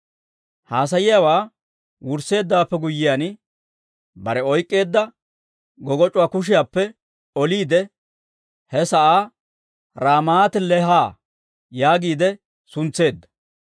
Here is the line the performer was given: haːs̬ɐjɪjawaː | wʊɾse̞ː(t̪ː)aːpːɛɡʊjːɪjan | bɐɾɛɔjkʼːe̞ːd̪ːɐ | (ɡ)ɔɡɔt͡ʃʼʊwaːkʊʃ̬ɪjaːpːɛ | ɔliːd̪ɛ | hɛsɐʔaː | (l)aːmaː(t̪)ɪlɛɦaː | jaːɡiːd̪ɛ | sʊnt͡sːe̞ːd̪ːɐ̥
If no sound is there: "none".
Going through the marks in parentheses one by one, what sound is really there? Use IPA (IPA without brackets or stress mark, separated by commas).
d̪ː, ɡ, ɾ, t̪